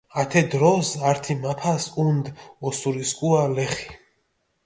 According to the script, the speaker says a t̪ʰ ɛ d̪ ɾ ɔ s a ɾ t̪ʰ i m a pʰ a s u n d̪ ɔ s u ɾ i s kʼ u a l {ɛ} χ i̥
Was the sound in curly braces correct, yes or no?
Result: yes